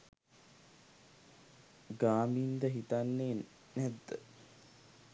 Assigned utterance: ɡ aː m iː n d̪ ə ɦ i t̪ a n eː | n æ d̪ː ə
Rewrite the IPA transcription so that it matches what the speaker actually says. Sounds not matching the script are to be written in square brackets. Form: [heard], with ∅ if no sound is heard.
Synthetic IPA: ɡ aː m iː n d̪ ə ɦ i t̪ a [nː] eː | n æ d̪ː ə